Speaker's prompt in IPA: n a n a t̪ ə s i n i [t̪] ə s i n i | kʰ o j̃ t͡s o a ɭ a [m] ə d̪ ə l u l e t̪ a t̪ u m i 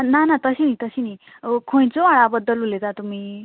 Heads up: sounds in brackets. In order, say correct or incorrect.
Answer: correct, incorrect: b

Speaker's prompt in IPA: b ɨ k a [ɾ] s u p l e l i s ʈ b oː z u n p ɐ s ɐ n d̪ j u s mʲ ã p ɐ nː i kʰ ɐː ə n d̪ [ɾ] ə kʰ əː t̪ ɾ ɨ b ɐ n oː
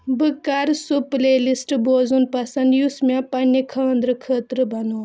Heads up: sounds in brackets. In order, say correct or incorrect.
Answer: correct, correct

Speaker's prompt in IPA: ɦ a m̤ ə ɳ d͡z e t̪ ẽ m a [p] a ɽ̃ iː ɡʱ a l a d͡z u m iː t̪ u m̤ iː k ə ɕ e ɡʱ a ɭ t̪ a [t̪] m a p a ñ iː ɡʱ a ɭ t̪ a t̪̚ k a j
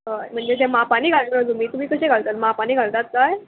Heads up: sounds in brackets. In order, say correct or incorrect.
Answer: correct, correct

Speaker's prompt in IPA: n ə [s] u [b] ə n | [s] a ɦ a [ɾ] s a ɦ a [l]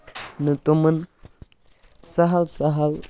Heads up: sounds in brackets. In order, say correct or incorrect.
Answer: incorrect: t, incorrect: m, correct, incorrect: l, correct

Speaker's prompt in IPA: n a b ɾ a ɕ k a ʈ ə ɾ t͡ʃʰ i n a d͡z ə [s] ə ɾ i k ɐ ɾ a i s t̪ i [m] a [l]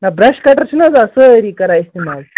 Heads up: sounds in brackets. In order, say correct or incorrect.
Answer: correct, correct, correct

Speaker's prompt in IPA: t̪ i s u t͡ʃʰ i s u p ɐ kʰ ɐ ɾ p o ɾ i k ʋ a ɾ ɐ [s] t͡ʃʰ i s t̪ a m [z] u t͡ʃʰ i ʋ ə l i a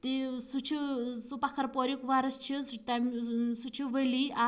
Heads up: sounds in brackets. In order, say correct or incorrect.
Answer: correct, incorrect: s

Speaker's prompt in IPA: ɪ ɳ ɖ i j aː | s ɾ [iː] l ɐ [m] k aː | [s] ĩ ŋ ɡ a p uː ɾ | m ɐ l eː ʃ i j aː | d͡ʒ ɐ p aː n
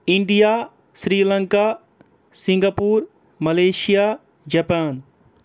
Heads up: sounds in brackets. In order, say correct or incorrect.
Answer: correct, incorrect: ŋ, correct

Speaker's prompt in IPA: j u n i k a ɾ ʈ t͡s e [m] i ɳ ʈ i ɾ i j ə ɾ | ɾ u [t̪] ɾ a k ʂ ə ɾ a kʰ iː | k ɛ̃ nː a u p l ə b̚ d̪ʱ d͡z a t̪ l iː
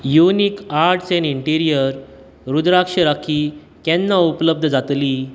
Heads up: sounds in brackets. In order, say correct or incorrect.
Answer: incorrect: n, incorrect: d̪

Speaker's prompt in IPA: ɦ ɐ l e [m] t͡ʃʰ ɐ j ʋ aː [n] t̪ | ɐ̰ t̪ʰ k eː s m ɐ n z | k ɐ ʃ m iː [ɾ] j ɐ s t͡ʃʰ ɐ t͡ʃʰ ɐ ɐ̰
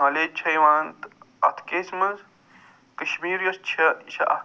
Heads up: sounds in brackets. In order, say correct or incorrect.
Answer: incorrect: none, correct, correct

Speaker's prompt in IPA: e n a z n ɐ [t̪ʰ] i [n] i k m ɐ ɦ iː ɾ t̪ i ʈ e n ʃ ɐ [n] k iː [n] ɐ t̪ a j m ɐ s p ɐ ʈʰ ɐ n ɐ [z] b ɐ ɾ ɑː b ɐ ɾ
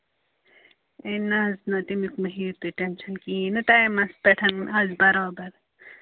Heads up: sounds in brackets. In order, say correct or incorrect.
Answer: incorrect: t̪, incorrect: m, correct, correct, correct

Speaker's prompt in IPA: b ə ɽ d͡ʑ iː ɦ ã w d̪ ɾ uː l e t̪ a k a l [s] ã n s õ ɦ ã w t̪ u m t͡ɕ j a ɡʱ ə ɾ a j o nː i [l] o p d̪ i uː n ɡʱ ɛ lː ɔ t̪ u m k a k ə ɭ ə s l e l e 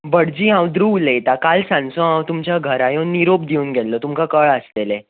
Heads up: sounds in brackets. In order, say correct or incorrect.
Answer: correct, incorrect: ɾ

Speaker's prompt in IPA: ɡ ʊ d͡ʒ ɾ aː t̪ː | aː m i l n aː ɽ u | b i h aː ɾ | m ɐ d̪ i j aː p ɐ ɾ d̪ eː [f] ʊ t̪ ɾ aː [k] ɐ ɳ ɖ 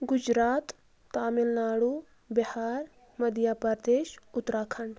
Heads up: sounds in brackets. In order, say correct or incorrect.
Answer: incorrect: ʃ, incorrect: kʰ

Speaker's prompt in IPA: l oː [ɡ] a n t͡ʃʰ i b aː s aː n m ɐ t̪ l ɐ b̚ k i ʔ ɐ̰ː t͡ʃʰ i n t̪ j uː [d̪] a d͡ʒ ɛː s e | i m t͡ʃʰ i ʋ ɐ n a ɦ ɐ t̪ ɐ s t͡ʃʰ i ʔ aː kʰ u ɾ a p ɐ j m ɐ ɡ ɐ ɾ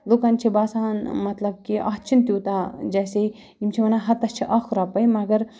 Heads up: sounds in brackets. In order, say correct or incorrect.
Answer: incorrect: k, incorrect: t̪

